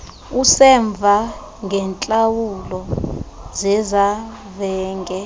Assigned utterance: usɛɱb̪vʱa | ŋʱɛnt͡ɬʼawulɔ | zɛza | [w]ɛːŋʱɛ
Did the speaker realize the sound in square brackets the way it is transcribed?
no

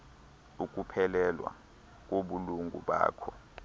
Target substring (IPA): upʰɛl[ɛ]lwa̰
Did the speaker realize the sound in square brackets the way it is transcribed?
yes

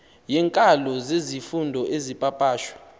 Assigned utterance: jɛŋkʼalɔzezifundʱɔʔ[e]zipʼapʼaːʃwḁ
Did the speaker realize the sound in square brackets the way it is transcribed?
yes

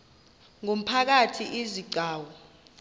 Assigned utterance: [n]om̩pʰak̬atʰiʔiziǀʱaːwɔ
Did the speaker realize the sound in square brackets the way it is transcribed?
no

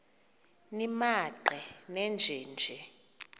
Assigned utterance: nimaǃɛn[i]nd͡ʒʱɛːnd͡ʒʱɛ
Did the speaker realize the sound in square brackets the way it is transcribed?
no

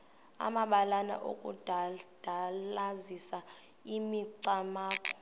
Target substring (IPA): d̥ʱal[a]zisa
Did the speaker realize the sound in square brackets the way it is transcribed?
yes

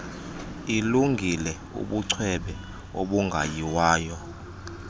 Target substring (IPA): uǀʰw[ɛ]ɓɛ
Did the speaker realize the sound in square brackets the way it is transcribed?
yes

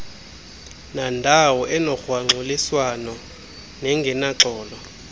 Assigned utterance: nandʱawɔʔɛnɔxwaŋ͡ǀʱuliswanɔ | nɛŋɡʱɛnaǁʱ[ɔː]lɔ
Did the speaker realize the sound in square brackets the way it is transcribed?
yes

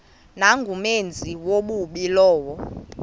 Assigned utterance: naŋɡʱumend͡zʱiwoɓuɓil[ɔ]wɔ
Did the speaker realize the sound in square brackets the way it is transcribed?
no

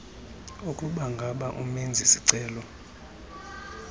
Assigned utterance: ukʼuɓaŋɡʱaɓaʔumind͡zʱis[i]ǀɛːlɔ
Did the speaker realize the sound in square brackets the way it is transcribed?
yes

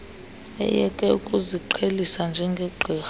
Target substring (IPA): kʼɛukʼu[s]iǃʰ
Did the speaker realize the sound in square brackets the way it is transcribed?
no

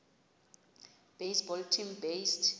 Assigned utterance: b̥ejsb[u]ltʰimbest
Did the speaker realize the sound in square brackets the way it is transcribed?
no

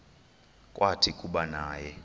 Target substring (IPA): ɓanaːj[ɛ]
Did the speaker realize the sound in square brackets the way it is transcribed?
yes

